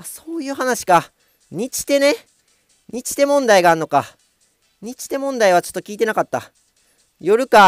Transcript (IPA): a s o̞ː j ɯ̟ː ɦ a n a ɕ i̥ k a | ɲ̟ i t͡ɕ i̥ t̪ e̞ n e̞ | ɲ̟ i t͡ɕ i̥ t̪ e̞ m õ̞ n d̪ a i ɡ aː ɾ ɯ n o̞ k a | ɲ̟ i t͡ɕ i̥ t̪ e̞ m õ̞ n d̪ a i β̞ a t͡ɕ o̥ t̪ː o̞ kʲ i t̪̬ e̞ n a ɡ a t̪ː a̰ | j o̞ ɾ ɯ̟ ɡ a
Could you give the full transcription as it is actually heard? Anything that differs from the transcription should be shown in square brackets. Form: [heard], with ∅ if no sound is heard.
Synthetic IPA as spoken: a s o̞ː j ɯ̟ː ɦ a n a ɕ i̥ k a | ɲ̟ i t͡ɕ i̥ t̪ e̞ n e̞ | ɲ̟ i t͡ɕ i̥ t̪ e̞ m õ̞ n d̪ a i ɡ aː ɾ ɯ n o̞ k a | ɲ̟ i t͡ɕ i̥ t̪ e̞ m õ̞ n d̪ a i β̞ a t͡ɕ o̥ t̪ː o̞ kʲ [iː] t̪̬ e̞ n a [k] a t̪ː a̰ | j o̞ ɾ ɯ̟ [k] a